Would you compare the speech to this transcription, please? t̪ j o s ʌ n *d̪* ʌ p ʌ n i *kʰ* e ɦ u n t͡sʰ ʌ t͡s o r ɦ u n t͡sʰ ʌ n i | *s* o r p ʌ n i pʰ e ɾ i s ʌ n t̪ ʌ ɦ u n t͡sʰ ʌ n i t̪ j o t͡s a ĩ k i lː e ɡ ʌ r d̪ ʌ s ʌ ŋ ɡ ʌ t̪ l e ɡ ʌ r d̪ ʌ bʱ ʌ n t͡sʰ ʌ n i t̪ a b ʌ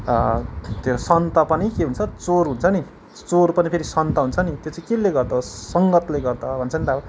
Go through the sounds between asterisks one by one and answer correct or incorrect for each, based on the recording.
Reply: incorrect: t̪, incorrect: k, incorrect: t͡s

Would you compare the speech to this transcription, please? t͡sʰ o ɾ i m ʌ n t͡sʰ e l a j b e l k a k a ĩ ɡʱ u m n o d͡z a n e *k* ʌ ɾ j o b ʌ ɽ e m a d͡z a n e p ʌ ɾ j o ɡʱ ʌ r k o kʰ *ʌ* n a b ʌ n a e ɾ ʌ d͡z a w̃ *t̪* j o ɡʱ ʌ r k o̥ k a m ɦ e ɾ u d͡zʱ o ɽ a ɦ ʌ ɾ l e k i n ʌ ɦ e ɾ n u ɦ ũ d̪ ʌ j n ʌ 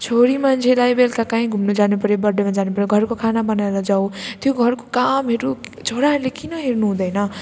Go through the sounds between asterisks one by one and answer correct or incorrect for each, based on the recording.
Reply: incorrect: p, incorrect: a, correct

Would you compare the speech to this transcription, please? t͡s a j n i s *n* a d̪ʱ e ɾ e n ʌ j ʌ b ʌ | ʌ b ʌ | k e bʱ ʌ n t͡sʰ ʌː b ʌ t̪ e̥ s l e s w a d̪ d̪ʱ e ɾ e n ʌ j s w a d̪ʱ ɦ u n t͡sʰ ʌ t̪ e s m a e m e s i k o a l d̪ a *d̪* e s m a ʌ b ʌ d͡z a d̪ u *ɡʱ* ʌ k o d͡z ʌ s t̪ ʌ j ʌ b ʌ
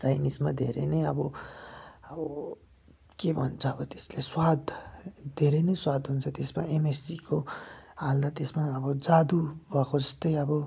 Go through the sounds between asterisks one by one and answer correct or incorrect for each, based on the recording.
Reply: incorrect: m, incorrect: t̪, incorrect: bʱ

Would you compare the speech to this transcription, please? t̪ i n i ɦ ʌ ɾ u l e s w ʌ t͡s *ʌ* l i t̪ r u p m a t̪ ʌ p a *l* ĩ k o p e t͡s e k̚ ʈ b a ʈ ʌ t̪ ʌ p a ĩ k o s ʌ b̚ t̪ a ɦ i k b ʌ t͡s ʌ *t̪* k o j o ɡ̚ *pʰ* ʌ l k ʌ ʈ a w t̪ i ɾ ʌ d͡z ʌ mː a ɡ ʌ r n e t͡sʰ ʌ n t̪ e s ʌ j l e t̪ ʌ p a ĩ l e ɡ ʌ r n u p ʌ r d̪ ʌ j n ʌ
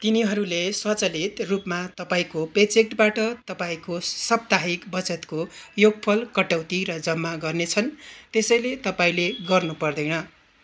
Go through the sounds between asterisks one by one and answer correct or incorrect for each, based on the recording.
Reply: correct, incorrect: none, correct, correct

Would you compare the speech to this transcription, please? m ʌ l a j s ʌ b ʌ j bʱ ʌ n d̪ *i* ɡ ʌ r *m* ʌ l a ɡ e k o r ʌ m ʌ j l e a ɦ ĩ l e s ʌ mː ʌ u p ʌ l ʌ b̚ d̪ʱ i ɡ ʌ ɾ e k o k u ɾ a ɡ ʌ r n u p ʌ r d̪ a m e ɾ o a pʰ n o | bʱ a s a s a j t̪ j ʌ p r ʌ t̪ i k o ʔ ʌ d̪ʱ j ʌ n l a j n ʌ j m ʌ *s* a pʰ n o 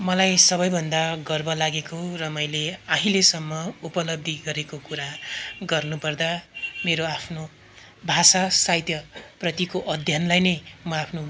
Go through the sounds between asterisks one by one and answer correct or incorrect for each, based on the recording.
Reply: incorrect: a, incorrect: b, incorrect: none

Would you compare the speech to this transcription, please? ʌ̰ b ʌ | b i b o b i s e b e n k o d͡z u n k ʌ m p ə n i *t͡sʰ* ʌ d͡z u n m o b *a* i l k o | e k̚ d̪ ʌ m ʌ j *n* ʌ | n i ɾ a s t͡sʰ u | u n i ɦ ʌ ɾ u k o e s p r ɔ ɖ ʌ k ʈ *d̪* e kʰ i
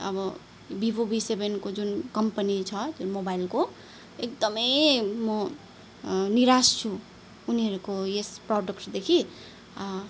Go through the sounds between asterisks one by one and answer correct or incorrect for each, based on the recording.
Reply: correct, correct, incorrect: m, correct

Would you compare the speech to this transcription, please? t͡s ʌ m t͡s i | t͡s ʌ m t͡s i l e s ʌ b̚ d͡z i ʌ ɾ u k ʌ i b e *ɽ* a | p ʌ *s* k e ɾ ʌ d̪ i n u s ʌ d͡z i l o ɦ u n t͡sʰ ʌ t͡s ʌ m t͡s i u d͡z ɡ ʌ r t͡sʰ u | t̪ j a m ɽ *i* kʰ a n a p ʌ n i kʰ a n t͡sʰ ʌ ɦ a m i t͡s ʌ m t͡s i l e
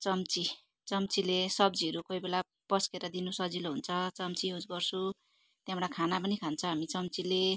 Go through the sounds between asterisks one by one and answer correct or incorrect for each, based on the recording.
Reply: incorrect: l, correct, incorrect: a

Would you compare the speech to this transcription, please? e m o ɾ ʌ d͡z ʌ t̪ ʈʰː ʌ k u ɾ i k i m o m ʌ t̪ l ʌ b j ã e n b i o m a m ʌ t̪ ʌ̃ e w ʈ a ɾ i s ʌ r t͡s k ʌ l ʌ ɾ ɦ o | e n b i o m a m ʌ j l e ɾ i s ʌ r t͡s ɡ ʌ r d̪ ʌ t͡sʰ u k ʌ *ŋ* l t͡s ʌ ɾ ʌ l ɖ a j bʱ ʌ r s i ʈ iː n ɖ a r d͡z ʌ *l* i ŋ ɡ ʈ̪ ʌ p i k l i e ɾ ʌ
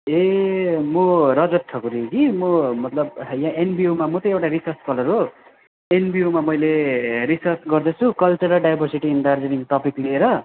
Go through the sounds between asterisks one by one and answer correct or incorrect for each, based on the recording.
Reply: incorrect: none, incorrect: ɾ

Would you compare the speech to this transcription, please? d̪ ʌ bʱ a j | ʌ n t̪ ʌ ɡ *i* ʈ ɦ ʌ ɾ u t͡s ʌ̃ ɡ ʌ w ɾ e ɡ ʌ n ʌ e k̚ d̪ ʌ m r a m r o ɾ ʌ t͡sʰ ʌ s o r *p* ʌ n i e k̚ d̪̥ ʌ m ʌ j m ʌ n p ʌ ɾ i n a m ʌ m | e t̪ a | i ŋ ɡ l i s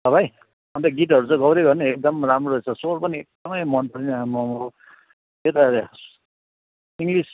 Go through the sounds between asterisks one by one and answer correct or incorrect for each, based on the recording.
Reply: correct, correct

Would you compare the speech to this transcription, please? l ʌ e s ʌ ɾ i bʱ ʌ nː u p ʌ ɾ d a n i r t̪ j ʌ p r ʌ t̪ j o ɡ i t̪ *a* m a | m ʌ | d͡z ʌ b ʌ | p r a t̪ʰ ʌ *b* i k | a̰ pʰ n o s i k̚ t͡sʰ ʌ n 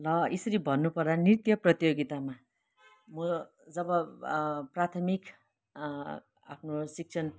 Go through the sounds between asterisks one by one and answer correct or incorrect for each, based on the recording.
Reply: correct, incorrect: m

